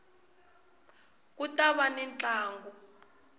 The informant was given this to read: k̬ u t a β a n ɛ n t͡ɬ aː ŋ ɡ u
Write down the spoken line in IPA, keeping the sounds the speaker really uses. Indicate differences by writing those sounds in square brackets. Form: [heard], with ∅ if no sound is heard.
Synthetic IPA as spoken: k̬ u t a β a n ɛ n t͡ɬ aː ŋ ɡ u